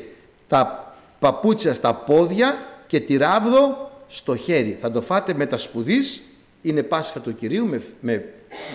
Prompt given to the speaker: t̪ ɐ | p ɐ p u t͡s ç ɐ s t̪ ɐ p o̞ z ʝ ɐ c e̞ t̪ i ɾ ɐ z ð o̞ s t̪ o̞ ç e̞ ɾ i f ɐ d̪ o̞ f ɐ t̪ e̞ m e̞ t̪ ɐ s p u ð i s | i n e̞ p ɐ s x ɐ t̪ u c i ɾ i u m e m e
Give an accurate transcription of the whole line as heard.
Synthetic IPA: t̪ ɐ | p ɐ p u t͡s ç ɐ s t̪ ɐ p o̞ ð ʝ ɐ c e̞ t̪ i ɾ ɐ v ð o̞ s t̪ o̞ ç e̞ ɾ i θ ɐ d̪ o̞ f ɐ t̪ e̞ m e̞ t̪ ɐ s p u ð i s | i n e̞ p ɐ s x ɐ t̪ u c i ɾ i u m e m e